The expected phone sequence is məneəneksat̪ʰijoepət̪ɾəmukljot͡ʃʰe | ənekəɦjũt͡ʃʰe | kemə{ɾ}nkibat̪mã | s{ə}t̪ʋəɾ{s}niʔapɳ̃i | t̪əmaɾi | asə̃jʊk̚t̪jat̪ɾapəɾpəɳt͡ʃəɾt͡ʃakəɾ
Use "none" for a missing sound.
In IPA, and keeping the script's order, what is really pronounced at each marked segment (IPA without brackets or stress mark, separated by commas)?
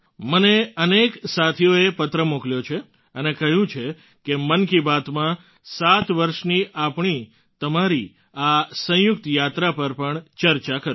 none, a, ʃ